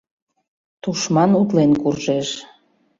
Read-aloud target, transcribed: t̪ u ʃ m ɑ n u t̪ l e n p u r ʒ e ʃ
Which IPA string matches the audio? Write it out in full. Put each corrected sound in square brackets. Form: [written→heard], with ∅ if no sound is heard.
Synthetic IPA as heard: t̪ u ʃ m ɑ n u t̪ l e n [p→k] u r ʒ e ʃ

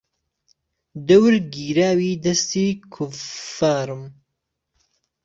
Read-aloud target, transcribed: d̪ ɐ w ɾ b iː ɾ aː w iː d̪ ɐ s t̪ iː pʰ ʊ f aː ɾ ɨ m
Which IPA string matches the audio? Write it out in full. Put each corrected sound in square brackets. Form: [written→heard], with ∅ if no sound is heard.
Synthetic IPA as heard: d̪ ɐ w ɾ [b→ɡ] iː ɾ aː w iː d̪ ɐ s t̪ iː [pʰ→kʰ] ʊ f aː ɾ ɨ m

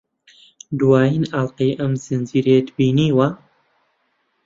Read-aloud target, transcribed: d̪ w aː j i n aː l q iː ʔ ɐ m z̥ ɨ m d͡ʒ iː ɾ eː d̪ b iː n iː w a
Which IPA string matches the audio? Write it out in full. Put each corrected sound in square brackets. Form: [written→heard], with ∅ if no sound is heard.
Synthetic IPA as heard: d̪ w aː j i n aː l q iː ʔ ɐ m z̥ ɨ [m→n] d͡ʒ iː ɾ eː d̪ b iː n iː w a

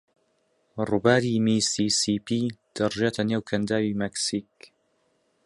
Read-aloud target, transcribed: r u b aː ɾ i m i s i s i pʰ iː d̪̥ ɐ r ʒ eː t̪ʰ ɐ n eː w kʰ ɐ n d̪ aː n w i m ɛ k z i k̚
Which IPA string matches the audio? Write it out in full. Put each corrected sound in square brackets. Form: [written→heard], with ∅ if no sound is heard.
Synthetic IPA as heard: r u b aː ɾ i m i s i s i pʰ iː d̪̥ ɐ r ʒ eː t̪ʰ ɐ n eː w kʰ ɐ n d̪ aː [n→∅] w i m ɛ k [z→s] i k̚

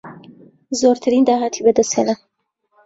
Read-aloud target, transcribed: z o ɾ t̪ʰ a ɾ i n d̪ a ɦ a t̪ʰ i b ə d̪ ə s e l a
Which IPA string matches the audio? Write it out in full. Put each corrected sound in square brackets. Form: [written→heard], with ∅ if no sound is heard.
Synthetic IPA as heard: z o ɾ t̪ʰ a ɾ i n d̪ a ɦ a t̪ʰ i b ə d̪ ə s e l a

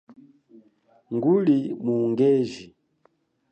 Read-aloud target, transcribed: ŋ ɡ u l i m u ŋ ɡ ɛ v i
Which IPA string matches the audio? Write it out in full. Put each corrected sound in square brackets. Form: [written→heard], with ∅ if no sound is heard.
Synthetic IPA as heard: ŋ ɡ u l i m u ŋ ɡ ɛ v i

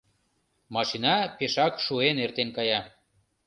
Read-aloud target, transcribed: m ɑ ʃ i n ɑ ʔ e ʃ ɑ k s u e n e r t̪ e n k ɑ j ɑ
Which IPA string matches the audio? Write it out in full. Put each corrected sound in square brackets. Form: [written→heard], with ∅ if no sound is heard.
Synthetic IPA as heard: m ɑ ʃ i n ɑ [ʔ→p] e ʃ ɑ k [s→ʃ] u e n e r t̪ e n k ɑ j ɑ

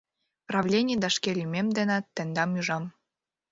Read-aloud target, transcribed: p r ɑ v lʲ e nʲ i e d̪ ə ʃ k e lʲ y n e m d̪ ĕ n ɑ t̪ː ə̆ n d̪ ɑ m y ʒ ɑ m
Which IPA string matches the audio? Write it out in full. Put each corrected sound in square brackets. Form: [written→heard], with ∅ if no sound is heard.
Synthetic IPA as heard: p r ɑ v lʲ e nʲ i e d̪ [ə→ɑ] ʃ k e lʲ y [n→m] e m d̪ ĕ n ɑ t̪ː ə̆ n d̪ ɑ m y ʒ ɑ m

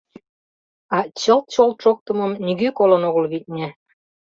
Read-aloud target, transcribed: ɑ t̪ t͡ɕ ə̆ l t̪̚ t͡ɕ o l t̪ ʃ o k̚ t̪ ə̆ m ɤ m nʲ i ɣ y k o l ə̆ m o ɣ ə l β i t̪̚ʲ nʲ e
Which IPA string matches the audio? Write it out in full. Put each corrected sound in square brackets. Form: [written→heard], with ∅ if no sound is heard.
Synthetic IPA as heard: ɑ [t̪→∅] t͡ɕ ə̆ l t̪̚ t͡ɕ o l t̪ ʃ o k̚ t̪ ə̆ m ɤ m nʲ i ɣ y k o l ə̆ [m→n] o ɣ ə l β i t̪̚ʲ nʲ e

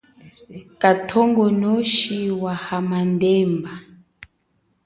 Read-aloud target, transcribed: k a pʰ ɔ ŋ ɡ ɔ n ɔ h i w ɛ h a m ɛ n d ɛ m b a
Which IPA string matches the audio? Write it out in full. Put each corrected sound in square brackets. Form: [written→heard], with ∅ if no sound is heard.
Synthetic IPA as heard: k a [pʰ→tʰ] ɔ ŋ ɡ ɔ n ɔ [h→ʃ] i w [ɛ→a] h a m [ɛ→a] n d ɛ m b a

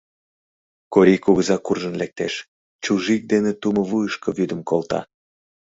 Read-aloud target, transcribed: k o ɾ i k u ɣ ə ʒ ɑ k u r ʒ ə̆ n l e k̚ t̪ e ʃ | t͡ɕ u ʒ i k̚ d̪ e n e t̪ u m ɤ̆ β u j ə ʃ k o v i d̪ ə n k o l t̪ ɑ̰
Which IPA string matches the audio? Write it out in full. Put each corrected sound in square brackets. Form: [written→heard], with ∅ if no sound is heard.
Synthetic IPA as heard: k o ɾ i k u ɣ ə [ʒ→z] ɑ k u r ʒ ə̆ n l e k̚ t̪ e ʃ | t͡ɕ u ʒ i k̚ d̪ e n e t̪ u m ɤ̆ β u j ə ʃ k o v [i→y] d̪ ə [n→m] k o l t̪ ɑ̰

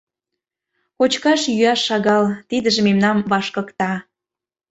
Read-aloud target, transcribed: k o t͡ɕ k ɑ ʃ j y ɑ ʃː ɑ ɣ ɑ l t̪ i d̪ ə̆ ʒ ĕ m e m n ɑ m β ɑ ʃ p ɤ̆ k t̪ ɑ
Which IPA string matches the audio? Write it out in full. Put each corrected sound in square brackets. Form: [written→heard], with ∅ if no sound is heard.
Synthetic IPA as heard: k o t͡ɕ k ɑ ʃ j y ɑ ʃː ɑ ɣ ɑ l t̪ i d̪ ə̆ ʒ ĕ m e m n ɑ m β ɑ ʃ [p→k] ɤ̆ k t̪ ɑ

